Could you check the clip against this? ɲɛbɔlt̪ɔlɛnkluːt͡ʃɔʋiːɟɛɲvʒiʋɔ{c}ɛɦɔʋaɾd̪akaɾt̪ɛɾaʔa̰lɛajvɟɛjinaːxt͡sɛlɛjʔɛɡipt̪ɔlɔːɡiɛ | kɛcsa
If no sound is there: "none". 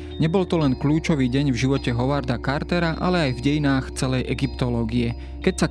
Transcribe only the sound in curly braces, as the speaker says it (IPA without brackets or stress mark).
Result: c